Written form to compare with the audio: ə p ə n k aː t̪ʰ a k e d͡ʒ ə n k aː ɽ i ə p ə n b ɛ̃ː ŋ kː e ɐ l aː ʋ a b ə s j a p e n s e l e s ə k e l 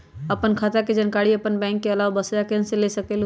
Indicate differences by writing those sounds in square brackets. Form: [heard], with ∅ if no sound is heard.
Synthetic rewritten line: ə p ə n [kʰ] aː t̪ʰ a k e d͡ʒ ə n k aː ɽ i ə p ə n b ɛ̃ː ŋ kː e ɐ l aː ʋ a b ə s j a [k] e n s e l e s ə k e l